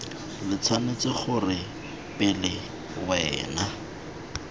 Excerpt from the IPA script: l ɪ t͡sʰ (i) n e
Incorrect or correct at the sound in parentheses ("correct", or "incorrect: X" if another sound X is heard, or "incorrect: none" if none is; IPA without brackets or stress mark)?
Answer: incorrect: a